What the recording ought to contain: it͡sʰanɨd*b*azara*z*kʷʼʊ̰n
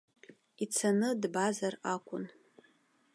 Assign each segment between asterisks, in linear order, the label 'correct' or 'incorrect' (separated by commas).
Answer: correct, incorrect